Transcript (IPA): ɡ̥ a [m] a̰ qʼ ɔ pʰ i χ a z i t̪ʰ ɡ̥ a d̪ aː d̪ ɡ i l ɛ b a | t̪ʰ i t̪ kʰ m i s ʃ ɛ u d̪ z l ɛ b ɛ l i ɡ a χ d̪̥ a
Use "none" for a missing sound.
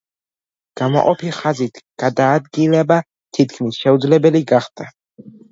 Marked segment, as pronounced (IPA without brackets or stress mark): m